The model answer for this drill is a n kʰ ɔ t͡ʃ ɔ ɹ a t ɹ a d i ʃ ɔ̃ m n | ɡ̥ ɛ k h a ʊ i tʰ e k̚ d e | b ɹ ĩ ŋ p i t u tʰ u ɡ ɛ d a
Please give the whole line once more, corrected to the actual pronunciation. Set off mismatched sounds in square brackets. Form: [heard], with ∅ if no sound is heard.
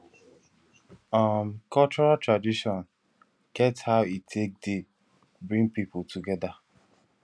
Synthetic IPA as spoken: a [m] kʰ ɔ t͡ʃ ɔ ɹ a t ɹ a d i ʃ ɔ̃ [∅] n | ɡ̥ ɛ [t] h a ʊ i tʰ e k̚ d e | b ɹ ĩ ŋ p i [p] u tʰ u ɡ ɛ d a